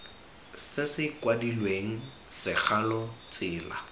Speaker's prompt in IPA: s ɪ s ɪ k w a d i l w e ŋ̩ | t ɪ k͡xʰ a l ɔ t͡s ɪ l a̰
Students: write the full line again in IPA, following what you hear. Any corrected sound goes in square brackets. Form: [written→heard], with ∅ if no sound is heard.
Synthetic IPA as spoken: s ɪ s ɪ k w a d i l w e ŋ̩ | [t→s] ɪ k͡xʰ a l ɔ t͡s [ɪ→ɪː] l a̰